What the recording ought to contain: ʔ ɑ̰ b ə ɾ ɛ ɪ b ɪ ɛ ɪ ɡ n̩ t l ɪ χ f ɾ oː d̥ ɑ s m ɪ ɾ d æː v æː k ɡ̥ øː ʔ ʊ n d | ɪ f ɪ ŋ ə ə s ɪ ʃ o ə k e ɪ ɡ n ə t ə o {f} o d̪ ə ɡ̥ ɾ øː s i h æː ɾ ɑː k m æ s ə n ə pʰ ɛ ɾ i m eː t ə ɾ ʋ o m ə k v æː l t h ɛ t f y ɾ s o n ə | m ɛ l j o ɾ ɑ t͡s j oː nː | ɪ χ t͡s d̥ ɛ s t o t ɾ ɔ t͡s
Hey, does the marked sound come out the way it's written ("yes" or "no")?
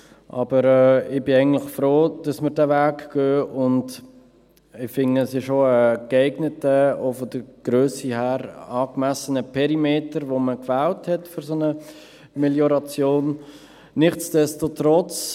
yes